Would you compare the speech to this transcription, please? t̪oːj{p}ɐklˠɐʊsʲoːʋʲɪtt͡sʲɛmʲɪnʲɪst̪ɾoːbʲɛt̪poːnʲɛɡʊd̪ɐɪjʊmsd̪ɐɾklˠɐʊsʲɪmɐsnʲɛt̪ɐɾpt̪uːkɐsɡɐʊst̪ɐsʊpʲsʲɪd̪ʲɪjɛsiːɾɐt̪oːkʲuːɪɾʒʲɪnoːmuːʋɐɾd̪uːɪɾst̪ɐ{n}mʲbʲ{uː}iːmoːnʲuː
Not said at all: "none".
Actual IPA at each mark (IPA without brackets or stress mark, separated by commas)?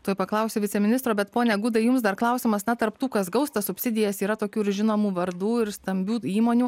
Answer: p, none, uː